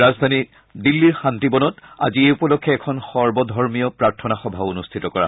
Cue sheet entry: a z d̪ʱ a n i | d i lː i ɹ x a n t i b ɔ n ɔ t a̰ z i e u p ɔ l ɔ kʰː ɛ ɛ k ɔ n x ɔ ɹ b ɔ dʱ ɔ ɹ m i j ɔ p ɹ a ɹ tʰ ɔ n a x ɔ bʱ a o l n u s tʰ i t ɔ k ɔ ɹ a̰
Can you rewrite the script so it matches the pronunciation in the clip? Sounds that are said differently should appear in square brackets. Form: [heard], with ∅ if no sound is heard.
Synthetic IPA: a z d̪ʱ a n i | d i lː i ɹ x a n t i b ɔ n ɔ t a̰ z i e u p ɔ l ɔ kʰː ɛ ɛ [kʰ] ɔ n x ɔ ɹ b ɔ dʱ ɔ ɹ m i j ɔ p ɹ a ɹ tʰ ɔ n a x ɔ bʱ a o [∅] n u s tʰ i t ɔ k ɔ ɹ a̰